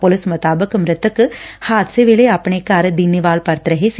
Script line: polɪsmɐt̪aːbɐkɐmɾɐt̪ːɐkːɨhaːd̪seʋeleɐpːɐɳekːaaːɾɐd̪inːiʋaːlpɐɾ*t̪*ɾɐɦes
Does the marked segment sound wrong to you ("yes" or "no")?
no